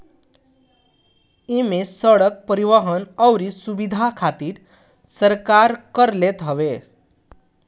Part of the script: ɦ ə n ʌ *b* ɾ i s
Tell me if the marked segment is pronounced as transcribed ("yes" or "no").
no